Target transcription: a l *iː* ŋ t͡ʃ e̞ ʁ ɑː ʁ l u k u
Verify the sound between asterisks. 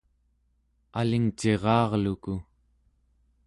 incorrect: i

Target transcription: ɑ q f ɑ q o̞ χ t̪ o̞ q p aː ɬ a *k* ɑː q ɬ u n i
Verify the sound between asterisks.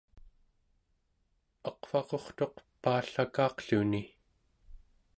correct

